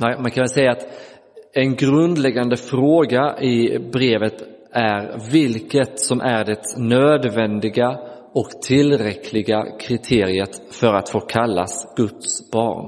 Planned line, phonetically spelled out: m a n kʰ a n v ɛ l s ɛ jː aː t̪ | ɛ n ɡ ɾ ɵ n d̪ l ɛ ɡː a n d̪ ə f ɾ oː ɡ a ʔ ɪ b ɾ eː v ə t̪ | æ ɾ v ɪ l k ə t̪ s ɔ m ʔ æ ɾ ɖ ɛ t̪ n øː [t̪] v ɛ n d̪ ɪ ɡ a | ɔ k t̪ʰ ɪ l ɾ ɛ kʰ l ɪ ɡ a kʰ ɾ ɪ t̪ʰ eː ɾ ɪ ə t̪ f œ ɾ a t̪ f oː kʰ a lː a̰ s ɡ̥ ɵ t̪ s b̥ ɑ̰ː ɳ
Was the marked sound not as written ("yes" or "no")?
yes